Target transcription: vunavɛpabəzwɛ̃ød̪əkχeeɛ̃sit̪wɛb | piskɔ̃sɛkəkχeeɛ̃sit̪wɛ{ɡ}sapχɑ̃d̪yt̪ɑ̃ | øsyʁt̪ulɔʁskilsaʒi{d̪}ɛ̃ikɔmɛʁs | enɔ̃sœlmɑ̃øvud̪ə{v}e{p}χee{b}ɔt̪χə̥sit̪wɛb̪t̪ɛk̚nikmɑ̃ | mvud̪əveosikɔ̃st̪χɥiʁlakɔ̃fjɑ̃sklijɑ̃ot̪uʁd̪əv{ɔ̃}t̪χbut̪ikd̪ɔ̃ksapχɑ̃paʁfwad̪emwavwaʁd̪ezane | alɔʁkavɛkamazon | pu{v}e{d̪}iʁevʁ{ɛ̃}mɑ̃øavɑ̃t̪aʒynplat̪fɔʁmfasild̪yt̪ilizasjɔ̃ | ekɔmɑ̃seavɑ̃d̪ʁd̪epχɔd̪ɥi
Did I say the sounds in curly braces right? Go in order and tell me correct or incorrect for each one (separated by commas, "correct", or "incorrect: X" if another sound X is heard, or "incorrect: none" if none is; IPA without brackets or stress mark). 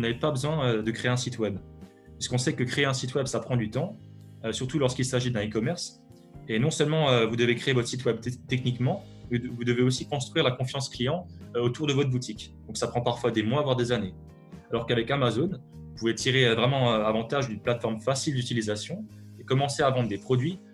incorrect: b, correct, correct, incorrect: k, incorrect: v, incorrect: ɔ, correct, incorrect: t̪, incorrect: ɛ